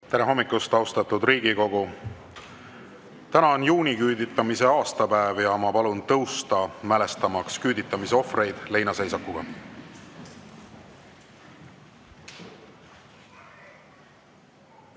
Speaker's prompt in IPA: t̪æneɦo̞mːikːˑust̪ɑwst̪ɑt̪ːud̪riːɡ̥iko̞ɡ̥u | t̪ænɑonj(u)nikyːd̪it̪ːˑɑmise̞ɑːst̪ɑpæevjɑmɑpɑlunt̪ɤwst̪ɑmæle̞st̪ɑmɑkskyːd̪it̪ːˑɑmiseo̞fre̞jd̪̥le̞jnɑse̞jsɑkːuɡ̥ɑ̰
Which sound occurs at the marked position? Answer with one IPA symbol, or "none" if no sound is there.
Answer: uː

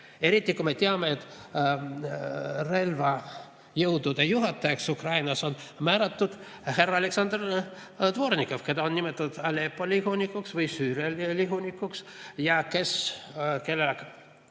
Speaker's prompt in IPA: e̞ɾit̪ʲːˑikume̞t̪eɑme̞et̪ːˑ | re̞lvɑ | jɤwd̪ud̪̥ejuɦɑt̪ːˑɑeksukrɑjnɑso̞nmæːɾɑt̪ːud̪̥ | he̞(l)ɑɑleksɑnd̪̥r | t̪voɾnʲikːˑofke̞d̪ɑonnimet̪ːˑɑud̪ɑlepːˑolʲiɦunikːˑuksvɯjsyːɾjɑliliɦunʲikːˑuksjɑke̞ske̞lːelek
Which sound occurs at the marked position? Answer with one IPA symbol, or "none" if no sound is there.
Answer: r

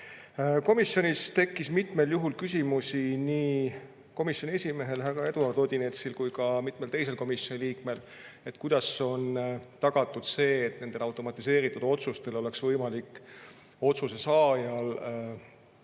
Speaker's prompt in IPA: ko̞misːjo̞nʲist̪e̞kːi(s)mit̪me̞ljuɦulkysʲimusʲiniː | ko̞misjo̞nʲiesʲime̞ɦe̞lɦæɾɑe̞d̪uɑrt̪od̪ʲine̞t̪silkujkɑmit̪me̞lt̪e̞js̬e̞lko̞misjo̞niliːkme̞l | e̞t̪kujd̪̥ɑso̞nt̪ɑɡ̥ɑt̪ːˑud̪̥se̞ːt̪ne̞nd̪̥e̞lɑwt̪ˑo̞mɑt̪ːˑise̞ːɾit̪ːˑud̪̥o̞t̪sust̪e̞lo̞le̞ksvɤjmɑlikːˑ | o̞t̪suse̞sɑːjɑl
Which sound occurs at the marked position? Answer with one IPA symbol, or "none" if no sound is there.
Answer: s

